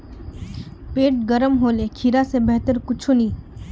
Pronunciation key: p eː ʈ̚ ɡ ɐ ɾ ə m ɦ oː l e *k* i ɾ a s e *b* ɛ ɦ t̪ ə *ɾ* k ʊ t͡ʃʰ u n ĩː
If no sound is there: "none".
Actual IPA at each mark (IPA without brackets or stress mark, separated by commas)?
kʰ, b, ɾ